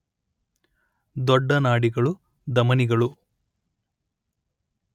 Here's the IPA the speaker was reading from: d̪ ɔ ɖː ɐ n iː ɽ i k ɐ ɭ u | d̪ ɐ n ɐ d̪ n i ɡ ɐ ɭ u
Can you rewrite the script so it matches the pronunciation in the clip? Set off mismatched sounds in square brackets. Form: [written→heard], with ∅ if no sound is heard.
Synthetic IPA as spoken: d̪ ɔ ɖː ɐ n [iː→aː] ɽ i [k→ɡ] ɐ ɭ u | d̪ ɐ [n→m] ɐ [d̪→∅] n i ɡ ɐ ɭ u